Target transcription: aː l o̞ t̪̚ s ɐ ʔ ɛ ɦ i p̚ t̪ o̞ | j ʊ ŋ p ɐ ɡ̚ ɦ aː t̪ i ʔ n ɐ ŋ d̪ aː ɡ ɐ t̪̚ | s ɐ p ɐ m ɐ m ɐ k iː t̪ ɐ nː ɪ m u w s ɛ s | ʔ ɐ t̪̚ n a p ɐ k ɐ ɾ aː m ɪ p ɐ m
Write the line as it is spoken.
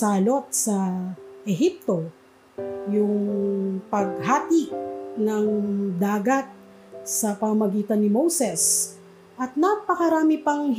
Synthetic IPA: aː l o̞ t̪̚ s ɐ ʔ ɛ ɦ i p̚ t̪ o̞ | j ʊ ŋ p ɐ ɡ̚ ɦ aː t̪ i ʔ n ɐ ŋ d̪ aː ɡ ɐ t̪̚ | s ɐ p ɐ m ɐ m ɐ ɡ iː t̪ ɐ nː ɪ m o w s ɛ s | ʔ ɐ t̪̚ n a p ɐ k ɐ ɾ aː m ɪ p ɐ ŋ